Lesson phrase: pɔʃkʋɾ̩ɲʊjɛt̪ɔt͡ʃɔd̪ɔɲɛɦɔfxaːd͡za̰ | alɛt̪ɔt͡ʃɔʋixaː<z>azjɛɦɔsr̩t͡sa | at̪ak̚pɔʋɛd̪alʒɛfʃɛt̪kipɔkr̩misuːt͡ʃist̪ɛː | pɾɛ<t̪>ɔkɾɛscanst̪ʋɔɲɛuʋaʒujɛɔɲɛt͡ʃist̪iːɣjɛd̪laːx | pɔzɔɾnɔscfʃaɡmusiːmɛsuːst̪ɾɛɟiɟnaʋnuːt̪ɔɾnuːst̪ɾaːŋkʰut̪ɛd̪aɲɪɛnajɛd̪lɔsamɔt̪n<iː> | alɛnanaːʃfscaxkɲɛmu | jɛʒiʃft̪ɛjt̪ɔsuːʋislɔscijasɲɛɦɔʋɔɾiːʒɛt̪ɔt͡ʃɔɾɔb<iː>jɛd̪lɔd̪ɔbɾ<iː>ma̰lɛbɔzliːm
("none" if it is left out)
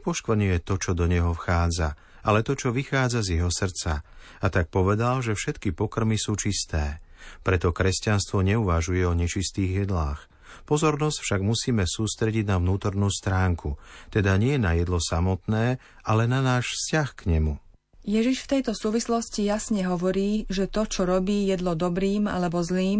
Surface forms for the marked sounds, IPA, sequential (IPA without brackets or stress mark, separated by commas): d͡z, t̪, ɛː, iː, iː